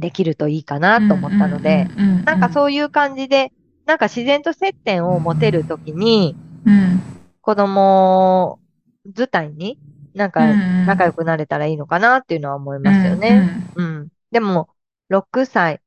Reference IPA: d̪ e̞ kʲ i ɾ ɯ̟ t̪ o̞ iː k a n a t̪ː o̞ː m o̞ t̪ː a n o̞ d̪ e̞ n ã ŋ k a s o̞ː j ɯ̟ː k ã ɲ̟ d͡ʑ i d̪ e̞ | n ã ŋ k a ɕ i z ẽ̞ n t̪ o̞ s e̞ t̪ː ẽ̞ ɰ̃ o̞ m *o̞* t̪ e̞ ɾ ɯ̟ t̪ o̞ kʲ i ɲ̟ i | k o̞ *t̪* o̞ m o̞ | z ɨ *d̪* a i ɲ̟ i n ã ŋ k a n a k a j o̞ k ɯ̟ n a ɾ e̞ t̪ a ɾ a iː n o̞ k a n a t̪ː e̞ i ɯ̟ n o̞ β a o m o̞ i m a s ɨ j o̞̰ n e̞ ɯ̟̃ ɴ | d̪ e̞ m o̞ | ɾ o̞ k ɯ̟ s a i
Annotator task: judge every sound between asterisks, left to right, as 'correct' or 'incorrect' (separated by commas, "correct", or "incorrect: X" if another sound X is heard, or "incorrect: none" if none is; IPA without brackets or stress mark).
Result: correct, incorrect: d̪, incorrect: t̪